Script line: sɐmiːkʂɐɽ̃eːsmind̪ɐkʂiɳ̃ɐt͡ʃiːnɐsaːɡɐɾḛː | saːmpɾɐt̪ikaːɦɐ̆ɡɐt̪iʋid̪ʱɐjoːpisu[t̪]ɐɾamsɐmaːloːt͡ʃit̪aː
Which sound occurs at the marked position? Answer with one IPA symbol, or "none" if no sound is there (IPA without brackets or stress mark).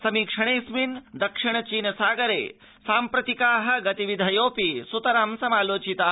t̪